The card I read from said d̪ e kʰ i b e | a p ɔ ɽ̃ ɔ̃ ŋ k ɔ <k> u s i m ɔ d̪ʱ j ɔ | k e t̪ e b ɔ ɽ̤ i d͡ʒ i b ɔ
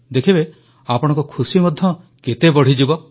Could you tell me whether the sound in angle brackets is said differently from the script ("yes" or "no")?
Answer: yes